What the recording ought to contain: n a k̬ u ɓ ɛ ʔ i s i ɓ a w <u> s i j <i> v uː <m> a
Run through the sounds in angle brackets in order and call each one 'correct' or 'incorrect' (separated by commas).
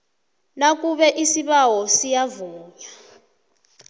incorrect, incorrect, incorrect